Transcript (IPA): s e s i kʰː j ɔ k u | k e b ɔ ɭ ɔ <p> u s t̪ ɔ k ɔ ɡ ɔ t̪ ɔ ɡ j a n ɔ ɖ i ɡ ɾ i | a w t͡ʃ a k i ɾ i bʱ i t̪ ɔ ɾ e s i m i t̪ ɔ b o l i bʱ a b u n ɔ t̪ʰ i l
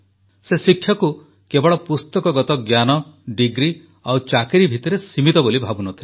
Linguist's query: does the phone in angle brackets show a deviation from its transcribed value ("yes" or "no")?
no